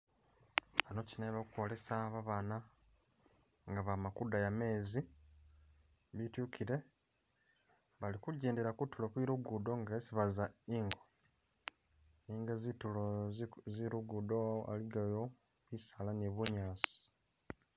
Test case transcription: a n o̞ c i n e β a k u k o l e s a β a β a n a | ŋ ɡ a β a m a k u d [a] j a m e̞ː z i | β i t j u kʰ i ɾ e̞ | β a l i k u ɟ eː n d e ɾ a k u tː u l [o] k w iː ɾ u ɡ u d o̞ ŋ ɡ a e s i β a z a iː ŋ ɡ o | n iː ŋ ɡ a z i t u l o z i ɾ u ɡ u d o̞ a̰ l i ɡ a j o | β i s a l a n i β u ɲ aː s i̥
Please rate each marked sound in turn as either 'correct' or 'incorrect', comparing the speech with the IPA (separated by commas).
correct, correct